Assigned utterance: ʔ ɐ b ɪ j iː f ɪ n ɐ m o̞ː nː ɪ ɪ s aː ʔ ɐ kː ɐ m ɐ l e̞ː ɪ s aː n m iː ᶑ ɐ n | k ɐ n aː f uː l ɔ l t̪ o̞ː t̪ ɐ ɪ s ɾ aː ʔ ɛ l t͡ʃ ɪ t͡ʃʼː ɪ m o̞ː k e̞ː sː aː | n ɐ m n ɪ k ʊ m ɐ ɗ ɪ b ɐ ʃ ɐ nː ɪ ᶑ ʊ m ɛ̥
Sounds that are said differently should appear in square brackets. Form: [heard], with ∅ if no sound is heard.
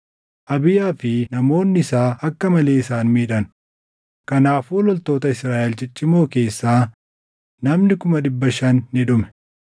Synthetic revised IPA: ʔ ɐ b ɪ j [aː] f ɪ n ɐ m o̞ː nː ɪ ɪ s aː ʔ ɐ kː ɐ m ɐ l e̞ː ɪ s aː n m iː ᶑ ɐ n | k ɐ n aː f uː l ɔ l t̪ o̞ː t̪ ɐ ɪ s ɾ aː ʔ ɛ l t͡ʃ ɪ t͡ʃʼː ɪ m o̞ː k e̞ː sː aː | n ɐ m n ɪ k ʊ m ɐ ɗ ɪ [bː] ɐ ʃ ɐ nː ɪ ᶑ ʊ m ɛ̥